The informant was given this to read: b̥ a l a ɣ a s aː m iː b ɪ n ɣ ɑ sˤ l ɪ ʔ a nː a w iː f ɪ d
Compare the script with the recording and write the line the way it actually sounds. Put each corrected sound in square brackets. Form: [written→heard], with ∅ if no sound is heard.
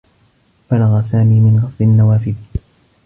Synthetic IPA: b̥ a l a ɣ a s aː m iː [b→m] ɪ n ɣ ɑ sˤ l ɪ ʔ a nː a w [iː→aː] f ɪ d